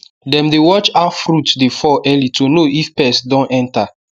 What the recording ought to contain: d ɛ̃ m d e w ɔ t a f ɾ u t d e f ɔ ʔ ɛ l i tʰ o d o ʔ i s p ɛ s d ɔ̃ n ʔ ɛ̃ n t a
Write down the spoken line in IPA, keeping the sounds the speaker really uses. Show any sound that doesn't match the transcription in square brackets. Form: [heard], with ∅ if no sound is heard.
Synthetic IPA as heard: d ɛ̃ m d e w ɔ [t͡ʃ] a f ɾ u t d e f ɔ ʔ ɛ l i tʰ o [n] o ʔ i [f] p ɛ s d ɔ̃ n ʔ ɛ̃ n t a